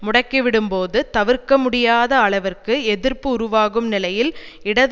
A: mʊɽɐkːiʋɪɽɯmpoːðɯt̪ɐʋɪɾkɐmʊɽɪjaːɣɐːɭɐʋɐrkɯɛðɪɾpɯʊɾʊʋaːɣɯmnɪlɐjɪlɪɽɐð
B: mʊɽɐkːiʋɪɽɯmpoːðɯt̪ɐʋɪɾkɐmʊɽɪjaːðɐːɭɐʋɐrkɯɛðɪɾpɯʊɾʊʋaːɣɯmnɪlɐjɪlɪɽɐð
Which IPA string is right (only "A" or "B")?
B